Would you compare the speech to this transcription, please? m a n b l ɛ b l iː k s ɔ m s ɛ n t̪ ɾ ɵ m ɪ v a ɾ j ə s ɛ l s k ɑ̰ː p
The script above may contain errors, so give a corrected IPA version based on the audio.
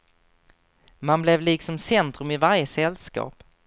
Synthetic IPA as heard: m a n b l ɛ v l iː k s ɔ m s ɛ n t̪ ɾ ɵ m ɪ v a ɾ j ə s ɛ l s k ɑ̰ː p